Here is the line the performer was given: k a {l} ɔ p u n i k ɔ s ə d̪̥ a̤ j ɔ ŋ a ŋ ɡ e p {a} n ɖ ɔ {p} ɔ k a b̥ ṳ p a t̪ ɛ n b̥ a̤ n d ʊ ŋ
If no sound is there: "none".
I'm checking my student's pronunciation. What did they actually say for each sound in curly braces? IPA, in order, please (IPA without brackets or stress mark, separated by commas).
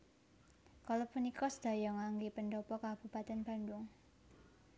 l, ə, p